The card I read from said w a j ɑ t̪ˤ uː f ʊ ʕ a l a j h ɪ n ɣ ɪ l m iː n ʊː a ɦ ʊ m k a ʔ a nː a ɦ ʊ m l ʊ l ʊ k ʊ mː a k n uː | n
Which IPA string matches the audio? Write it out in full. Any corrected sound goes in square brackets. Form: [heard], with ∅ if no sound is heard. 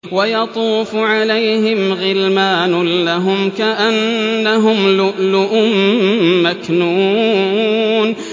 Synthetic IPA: w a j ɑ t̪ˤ uː f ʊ ʕ a l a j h ɪ [m] ɣ ɪ l m [aː] n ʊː a ɦ ʊ m k a ʔ a nː a ɦ ʊ m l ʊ l ʊ [ʔ] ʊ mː a k n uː | n

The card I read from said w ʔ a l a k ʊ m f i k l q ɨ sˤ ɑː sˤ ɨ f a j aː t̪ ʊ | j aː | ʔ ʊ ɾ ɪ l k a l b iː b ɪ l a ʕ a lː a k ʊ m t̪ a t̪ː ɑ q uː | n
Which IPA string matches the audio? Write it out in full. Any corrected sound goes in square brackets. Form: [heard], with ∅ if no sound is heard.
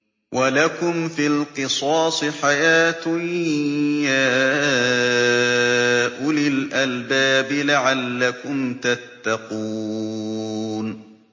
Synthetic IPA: w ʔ a l a k ʊ m f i [∅] l q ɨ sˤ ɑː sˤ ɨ [ħ] a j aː t̪ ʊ | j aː | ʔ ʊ [l] ɪ l [ʔ] a l b [aː] b ɪ l a ʕ a lː a k ʊ m t̪ a t̪ː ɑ q uː | n

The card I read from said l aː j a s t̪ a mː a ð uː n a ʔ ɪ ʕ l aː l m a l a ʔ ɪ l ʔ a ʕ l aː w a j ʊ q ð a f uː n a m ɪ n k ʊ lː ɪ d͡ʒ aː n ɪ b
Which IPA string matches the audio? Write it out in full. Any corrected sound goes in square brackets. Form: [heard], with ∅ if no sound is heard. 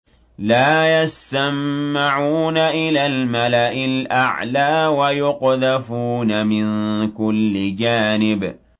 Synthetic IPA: l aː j a s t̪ a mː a [ʕ] uː n a ʔ ɪ [∅] l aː l m a l a ʔ ɪ l ʔ a ʕ l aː w a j ʊ q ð a f uː n a m ɪ n k ʊ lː ɪ d͡ʒ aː n ɪ b

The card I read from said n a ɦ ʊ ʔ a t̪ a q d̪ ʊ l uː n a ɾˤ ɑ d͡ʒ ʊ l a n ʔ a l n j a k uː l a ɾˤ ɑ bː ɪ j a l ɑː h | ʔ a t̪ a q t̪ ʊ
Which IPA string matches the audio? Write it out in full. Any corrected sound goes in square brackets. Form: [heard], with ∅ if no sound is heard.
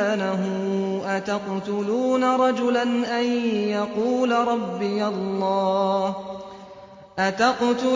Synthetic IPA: n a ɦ ʊ ʔ a t̪ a q [t̪] ʊ l uː n a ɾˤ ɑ d͡ʒ ʊ l a n ʔ a [∅] n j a [q] uː l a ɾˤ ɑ bː ɪ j a [lː] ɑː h | ʔ a t̪ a q t̪ ʊ

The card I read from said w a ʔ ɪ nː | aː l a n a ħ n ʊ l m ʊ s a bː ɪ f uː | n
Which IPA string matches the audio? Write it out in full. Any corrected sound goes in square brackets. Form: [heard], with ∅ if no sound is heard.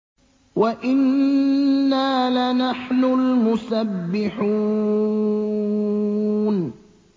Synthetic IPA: w a ʔ ɪ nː | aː l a n a ħ n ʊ l m ʊ s a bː ɪ [ħ] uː | n

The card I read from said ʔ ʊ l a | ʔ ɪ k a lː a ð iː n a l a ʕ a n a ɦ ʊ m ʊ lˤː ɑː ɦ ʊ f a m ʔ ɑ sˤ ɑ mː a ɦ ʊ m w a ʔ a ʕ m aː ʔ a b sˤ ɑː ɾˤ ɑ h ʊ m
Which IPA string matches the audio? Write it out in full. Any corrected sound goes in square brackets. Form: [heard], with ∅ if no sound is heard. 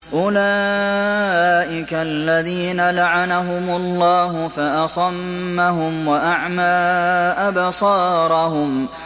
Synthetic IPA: ʔ ʊ l a | ʔ ɪ k a lː a ð iː n a l a ʕ a n a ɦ ʊ m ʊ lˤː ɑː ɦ ʊ f a [∅] ʔ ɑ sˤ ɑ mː a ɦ ʊ m w a ʔ a ʕ m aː ʔ a b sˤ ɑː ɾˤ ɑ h ʊ m

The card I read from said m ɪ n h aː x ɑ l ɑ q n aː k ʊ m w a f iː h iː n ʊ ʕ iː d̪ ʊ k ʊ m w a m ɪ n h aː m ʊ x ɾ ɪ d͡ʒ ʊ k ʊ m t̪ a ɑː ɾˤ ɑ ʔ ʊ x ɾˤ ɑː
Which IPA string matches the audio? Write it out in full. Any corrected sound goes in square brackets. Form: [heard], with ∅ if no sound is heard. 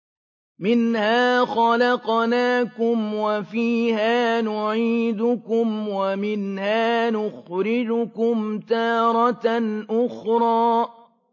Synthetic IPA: m ɪ n h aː x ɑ l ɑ q n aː k ʊ m w a f iː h [aː] n ʊ ʕ iː d̪ ʊ k ʊ m w a m ɪ n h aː [n] ʊ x ɾ ɪ d͡ʒ ʊ k ʊ m t̪ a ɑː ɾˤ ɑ ʔ ʊ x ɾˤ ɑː

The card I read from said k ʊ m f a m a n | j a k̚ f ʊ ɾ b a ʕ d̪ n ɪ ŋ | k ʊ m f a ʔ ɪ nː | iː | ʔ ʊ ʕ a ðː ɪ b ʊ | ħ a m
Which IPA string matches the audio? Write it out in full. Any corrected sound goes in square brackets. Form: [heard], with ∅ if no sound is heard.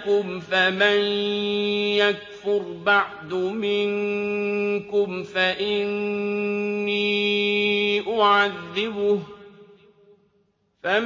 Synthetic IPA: k ʊ m f a m a n | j a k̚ f ʊ ɾ b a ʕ d̪ [m] ɪ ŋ | k ʊ m f a ʔ ɪ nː | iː | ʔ ʊ ʕ a ðː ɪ b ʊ | [f] a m

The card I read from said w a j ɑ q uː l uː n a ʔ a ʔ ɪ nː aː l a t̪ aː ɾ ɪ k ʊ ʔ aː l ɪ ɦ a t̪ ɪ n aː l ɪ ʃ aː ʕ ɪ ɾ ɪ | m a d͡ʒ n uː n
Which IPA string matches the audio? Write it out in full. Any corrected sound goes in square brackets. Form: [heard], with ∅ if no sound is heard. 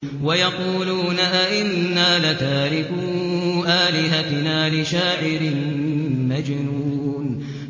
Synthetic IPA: w a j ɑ q uː l uː n a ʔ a ʔ ɪ nː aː l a t̪ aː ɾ ɪ k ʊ ʔ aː l ɪ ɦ a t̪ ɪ n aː l ɪ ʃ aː ʕ ɪ ɾ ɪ | m a d͡ʒ n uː n

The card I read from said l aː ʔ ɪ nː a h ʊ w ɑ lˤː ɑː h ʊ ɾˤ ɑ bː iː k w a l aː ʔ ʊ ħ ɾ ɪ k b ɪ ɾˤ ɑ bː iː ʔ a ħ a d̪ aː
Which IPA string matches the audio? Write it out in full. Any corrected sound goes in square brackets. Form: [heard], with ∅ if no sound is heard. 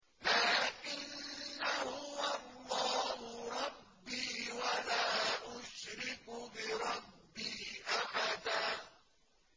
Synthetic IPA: l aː ʔ ɪ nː a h ʊ w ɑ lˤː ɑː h ʊ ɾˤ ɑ bː iː [∅] w a l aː ʔ ʊ [ʃ] ɾ ɪ k b ɪ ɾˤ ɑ bː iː ʔ a ħ a d̪ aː

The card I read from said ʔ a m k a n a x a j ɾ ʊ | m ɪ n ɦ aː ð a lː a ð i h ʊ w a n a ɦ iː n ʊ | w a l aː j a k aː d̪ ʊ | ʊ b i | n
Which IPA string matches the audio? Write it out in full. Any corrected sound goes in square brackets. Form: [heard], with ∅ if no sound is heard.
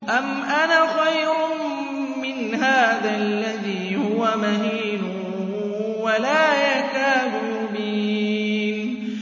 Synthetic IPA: ʔ a m [ʔ] a n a x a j ɾ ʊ | m ɪ n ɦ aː ð a lː a ð [iː] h ʊ w a [m] a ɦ iː n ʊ | w a l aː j a k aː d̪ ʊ | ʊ b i | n

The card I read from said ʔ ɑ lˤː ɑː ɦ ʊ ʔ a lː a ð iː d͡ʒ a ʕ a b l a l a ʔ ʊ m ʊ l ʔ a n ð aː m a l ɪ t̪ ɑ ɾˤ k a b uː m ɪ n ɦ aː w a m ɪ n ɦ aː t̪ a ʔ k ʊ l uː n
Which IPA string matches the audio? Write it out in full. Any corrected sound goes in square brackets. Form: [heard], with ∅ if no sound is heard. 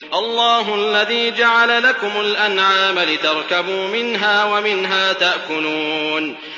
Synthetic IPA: ʔ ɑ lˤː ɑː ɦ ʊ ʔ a lː a ð iː d͡ʒ a ʕ a [∅] l a l a [k] ʊ m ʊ l ʔ a n [ʕ] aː m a l ɪ t̪ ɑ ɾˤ k a b uː m ɪ n ɦ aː w a m ɪ n ɦ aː t̪ a ʔ k ʊ l uː n

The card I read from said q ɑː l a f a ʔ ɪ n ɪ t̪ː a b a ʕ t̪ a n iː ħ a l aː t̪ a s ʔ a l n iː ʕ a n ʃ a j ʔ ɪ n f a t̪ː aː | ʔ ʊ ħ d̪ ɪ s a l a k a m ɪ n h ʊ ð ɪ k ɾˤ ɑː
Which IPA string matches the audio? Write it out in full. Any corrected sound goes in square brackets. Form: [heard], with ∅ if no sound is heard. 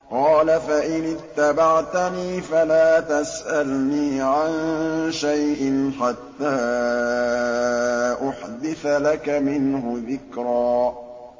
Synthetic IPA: q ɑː l a f a ʔ ɪ n ɪ t̪ː a b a ʕ t̪ a n iː [f] a l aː t̪ a s ʔ a l n iː ʕ a n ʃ a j ʔ ɪ n [ħ] a t̪ː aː | ʔ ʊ ħ d̪ ɪ [θ] a l a k a m ɪ n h ʊ ð ɪ k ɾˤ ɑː

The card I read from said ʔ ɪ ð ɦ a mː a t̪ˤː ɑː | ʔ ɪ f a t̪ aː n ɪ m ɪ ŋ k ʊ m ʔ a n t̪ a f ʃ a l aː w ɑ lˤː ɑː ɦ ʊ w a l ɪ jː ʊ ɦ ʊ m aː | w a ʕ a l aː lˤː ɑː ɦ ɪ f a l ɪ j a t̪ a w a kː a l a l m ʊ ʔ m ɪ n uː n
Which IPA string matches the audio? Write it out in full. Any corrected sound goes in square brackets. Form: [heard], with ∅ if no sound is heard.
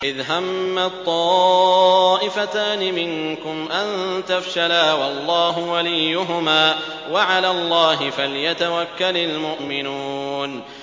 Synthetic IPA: ʔ ɪ ð ɦ a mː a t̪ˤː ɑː | ʔ ɪ f a t̪ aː n ɪ m ɪ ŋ k ʊ m ʔ a n t̪ a f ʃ a l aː w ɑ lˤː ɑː ɦ ʊ w a l ɪ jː ʊ ɦ ʊ m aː | w a ʕ a l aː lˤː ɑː ɦ ɪ f a l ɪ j a t̪ a w a kː a l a l m ʊ ʔ m ɪ n uː n

